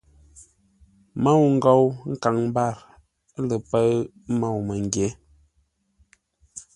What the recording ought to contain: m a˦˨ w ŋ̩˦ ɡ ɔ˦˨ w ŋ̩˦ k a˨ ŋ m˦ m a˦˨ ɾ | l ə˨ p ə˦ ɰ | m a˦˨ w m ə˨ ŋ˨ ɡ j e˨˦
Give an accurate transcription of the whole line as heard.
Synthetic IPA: m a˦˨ w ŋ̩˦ ɡ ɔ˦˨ w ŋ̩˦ k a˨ ŋ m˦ b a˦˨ ɾ | l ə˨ p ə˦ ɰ | m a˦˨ w m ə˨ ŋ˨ ɡ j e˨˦